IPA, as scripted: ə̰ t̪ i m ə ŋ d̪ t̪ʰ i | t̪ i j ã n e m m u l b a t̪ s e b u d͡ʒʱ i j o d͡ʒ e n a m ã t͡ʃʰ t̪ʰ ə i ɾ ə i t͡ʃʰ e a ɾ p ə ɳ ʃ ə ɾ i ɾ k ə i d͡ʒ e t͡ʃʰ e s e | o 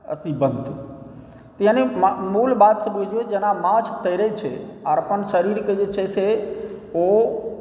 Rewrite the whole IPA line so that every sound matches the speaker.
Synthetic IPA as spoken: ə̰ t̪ i b ə n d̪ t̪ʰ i | t̪ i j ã n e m m u l b a t̪ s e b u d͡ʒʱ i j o d͡ʒ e n a m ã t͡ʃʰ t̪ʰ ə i ɾ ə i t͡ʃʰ e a ɾ p ə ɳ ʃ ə ɾ i ɾ k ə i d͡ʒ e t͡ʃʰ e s e | o